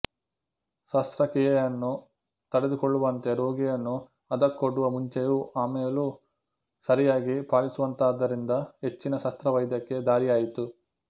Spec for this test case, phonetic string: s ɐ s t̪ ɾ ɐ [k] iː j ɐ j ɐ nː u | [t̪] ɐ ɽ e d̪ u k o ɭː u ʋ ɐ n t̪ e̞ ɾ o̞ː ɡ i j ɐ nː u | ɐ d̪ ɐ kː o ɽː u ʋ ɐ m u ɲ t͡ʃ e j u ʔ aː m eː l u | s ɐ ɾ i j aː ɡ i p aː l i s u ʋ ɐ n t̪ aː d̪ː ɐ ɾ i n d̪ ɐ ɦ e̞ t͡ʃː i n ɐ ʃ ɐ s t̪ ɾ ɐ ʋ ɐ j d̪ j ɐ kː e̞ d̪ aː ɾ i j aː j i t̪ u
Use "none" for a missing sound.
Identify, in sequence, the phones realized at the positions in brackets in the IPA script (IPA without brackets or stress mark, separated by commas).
k, t̪